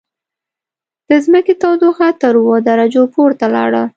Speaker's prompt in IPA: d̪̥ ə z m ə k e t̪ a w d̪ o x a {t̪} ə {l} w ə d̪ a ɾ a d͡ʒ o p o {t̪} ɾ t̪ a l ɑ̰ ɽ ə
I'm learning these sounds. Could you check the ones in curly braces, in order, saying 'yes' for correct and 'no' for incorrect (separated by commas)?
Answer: yes, no, no